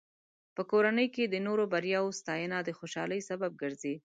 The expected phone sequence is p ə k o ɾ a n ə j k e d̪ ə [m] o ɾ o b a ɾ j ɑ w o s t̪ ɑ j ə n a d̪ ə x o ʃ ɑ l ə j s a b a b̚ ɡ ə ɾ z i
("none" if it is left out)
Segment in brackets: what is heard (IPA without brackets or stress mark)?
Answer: n